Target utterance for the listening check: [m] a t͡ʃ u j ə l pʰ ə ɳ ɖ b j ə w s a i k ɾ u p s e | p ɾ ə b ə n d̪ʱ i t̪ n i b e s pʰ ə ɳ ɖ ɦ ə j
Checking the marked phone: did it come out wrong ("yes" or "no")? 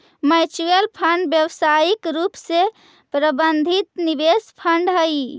no